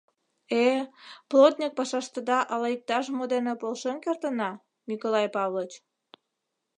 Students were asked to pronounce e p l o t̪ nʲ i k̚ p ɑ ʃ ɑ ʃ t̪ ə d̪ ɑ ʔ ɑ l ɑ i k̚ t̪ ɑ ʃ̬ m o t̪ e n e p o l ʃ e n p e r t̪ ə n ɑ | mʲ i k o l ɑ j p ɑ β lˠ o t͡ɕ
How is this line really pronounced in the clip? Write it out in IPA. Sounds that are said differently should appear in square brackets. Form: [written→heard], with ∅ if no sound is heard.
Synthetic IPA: e p l o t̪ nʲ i k̚ p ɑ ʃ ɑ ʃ t̪ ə d̪ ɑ ʔ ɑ l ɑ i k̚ t̪ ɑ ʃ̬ m o [t̪→d̪] e n e p o l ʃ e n [p→k] e r t̪ ə n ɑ | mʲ i k o l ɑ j p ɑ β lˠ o t͡ɕ